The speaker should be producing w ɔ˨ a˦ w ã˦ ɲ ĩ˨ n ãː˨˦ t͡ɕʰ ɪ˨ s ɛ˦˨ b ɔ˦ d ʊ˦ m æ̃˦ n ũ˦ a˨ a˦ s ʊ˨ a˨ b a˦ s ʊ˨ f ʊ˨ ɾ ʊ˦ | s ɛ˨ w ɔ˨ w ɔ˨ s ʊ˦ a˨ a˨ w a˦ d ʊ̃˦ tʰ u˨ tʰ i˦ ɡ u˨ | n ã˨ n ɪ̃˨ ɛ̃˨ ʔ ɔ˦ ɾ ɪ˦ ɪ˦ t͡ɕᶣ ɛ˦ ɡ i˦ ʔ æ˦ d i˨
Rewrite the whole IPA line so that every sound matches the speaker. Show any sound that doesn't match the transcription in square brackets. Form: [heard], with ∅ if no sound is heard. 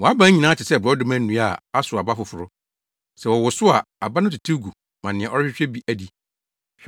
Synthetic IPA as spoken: w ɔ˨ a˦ [b] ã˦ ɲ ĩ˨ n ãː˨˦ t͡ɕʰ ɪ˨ s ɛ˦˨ b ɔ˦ d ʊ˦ m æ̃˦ n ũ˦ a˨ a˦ s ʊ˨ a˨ b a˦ [f] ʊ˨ f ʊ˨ ɾ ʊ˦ | s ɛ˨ w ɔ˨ w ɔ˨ s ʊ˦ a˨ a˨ [b] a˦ [n] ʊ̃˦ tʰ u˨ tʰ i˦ ɡ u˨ | [m] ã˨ n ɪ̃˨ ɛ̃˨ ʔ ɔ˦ ɾ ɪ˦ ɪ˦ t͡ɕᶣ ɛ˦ [b] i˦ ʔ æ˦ d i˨

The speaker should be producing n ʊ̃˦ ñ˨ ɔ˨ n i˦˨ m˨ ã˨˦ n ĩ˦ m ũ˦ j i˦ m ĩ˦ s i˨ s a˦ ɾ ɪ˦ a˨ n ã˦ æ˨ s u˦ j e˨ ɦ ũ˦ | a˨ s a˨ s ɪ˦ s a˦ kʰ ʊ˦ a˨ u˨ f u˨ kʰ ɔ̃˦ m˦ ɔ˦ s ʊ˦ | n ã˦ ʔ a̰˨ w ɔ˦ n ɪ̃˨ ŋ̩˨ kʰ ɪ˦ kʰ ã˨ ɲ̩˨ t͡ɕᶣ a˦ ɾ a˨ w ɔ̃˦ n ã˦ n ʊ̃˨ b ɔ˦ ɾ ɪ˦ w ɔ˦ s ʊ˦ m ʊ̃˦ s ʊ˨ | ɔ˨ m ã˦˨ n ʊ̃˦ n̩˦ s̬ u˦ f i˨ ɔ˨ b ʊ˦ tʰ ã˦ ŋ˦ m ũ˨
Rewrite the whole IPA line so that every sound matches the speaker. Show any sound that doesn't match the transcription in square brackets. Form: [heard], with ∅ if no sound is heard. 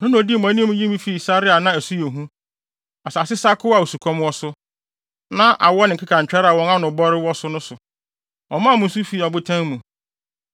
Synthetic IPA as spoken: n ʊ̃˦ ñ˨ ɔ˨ [d] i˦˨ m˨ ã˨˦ n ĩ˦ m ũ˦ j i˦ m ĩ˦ [f] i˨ s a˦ ɾ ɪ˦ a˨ n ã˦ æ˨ s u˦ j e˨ ɦ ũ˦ | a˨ s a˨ s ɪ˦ s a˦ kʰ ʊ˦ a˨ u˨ [s] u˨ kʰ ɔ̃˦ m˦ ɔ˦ s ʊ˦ | n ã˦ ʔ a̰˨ w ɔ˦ n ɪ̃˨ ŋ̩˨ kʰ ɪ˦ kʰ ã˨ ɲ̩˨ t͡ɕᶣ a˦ ɾ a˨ w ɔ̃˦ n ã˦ n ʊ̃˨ b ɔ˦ ɾ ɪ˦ w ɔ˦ s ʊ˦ [n] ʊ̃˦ s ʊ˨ | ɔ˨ m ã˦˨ [m] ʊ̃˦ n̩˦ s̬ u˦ f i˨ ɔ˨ b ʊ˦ tʰ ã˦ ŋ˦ m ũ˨

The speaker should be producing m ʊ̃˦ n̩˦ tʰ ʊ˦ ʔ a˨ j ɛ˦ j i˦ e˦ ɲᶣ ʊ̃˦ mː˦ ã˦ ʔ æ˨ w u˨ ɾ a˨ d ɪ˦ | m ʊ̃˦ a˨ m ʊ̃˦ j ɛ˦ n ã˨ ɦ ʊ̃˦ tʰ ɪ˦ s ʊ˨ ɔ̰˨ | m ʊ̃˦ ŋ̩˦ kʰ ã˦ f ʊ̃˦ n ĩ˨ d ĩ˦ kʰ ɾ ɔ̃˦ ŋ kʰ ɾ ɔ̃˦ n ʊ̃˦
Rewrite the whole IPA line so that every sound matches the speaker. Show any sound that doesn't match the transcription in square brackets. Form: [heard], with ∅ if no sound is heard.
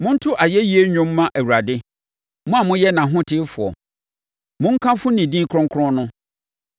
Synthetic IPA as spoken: m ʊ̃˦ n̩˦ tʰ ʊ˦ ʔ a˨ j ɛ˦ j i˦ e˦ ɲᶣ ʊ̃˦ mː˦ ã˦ ʔ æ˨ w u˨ ɾ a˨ d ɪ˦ | m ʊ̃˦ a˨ m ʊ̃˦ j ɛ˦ n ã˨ ɦ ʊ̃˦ tʰ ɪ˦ [f] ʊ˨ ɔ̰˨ | m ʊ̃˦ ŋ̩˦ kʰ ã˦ f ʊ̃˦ n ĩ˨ d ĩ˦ kʰ ɾ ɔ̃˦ ŋ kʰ ɾ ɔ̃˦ n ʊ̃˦

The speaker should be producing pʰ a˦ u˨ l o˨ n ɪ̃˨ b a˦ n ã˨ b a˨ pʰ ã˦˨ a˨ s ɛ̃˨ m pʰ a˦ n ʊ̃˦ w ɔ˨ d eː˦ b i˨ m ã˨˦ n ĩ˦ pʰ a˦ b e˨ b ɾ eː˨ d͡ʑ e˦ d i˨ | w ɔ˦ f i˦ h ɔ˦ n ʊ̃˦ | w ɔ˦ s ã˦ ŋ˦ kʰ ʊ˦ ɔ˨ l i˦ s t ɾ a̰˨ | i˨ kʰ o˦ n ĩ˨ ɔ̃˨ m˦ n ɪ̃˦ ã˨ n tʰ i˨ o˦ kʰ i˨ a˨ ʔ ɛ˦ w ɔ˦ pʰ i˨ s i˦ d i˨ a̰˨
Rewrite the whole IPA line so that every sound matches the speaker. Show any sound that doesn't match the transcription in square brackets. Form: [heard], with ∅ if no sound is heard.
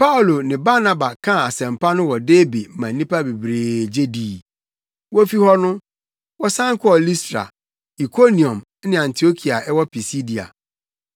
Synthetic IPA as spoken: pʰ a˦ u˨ l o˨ n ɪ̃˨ b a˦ n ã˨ b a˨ [kʰ] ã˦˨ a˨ s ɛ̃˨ m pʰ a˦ n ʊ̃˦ w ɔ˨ d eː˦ b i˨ m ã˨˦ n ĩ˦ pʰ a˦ b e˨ b ɾ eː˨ d͡ʑ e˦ d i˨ | w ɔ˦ f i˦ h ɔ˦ n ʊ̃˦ | w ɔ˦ s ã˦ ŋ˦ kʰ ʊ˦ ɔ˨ l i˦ s t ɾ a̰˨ | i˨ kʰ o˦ n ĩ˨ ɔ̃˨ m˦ n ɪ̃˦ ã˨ n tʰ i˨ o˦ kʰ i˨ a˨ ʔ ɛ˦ w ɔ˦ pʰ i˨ s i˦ d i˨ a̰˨

